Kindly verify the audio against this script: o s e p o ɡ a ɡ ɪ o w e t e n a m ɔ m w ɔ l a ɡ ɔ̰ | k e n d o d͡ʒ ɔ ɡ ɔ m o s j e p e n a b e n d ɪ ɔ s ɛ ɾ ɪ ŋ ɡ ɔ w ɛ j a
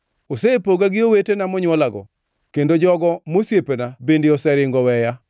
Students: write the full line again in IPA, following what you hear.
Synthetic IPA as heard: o s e p o ɡ a ɡ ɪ o w e t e n a m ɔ ɲ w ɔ l a ɡ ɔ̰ | k e n d o d͡ʒ ɔ ɡ ɔ m o s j e p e n a b e n d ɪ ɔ s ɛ ɾ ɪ ŋ ɡ ɔ w ɛ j a